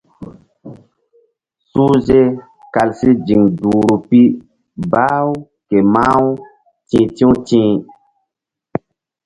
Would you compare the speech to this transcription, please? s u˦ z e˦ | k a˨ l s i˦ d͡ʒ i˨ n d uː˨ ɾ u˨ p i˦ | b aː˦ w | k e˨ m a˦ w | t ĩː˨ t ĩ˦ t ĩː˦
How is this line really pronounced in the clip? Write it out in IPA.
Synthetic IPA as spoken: s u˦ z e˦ | k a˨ l s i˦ d͡ʒ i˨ ŋ d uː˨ ɾ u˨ p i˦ | b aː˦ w | k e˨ m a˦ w | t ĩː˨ t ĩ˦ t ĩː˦